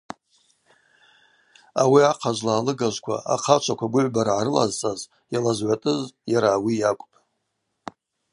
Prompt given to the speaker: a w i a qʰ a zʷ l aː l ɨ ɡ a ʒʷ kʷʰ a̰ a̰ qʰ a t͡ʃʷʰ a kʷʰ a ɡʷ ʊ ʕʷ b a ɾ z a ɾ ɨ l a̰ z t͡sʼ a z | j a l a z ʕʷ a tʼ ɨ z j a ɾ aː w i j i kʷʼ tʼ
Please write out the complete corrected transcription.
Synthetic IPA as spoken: a w i a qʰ a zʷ l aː l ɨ ɡ a ʒʷ kʷʰ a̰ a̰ qʰ a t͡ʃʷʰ a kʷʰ a ɡʷ ʊ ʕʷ b a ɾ ʕ a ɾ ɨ l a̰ z t͡sʼ a z | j a l a z ʕʷ a tʼ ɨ z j a ɾ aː w i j a kʷʼ pʼ